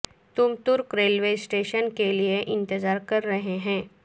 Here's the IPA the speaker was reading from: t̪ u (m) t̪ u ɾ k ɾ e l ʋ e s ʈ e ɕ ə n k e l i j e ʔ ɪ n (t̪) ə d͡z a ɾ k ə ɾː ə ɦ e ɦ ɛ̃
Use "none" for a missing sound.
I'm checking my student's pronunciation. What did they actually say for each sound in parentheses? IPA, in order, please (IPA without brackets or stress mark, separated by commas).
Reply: m, t̪